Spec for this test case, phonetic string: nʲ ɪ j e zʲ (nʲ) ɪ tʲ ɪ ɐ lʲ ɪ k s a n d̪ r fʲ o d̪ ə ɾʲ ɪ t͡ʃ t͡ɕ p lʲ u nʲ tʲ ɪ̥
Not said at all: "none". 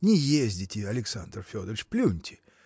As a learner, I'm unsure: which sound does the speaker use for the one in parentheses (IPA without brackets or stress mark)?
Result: dʲ